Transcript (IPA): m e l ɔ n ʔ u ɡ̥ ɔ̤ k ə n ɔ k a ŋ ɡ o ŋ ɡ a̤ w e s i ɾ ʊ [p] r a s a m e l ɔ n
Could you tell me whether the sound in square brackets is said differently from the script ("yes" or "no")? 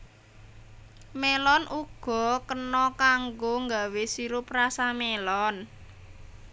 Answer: no